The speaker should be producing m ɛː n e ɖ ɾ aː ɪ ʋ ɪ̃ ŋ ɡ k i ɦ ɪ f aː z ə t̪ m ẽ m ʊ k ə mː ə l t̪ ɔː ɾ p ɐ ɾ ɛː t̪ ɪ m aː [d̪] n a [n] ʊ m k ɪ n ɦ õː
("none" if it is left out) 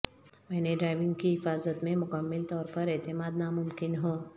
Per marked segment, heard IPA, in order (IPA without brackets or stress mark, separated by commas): d̪, m